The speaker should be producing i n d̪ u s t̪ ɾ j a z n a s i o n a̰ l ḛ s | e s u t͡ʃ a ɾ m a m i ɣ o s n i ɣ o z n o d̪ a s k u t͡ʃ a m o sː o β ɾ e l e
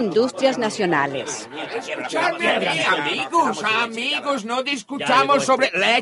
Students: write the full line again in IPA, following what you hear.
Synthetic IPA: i n d̪ u s t̪ ɾ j a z n a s j o n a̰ l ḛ s | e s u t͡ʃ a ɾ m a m i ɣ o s m i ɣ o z n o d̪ i s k u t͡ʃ a m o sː o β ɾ e l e